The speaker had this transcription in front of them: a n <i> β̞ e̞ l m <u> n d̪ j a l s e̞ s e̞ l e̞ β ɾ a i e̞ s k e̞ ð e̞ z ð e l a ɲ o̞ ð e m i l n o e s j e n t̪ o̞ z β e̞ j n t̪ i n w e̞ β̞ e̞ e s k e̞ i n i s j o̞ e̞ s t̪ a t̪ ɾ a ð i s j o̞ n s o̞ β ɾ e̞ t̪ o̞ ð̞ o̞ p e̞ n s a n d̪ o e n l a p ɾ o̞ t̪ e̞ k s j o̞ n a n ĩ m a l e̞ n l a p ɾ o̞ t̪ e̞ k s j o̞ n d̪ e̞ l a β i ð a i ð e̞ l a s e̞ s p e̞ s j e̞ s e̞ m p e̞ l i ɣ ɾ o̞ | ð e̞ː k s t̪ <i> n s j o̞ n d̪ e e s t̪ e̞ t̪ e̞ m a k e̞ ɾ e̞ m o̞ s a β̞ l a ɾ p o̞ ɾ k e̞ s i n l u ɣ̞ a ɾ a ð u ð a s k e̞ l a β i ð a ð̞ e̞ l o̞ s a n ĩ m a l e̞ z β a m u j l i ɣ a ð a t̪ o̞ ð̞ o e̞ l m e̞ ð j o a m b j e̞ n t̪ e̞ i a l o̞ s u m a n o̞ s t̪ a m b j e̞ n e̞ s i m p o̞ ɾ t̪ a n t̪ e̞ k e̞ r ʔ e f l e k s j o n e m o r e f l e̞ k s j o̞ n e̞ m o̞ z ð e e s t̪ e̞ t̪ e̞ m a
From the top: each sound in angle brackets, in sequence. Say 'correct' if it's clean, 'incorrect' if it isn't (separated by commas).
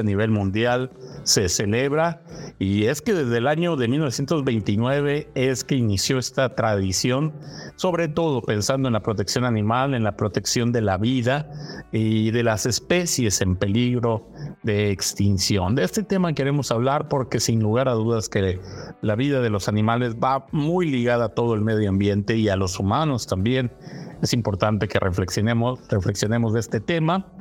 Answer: correct, incorrect, correct